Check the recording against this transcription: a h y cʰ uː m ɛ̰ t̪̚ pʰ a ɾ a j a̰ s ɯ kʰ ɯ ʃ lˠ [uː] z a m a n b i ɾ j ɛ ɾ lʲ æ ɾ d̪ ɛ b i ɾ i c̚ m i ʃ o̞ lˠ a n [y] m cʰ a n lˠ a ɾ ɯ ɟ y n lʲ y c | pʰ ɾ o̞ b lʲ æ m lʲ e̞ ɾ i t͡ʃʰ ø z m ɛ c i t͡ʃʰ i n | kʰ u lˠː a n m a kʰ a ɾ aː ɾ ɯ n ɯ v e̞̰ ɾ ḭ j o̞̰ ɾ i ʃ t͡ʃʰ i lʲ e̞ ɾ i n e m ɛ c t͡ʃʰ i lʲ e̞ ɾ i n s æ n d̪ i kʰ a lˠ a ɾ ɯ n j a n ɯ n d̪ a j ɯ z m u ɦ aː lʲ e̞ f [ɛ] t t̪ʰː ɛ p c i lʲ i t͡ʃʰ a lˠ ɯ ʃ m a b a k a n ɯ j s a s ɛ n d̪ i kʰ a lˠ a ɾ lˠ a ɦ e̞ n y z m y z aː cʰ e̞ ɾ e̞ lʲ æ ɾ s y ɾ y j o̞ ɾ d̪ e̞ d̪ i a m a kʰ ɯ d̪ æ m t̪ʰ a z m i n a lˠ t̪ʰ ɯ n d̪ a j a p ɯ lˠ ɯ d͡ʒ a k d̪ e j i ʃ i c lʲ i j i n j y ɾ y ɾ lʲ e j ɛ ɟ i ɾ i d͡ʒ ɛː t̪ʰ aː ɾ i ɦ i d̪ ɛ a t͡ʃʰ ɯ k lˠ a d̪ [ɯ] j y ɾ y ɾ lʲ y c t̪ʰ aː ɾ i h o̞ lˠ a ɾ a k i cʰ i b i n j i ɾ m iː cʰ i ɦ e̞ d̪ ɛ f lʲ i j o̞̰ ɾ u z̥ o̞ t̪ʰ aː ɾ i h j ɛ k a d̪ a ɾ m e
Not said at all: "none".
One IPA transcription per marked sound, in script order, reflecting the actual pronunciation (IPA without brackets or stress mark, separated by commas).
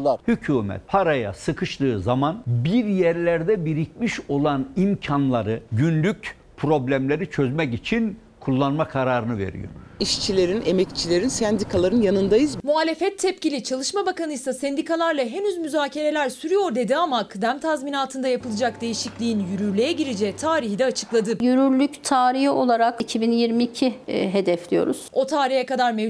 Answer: ɯː, i, ɛ, ɯ